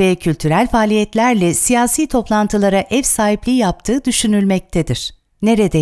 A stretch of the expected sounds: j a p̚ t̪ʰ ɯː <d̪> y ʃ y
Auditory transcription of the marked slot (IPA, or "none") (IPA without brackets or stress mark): d̪